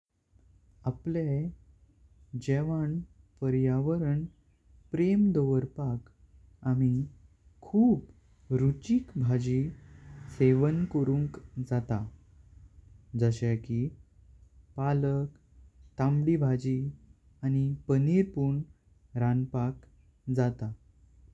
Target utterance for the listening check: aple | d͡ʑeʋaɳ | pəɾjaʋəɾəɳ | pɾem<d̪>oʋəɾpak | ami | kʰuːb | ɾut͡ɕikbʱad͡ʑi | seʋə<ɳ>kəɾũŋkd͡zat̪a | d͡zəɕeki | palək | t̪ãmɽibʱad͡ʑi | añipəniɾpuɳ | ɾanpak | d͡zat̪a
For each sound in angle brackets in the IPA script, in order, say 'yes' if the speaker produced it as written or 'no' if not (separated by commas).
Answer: yes, no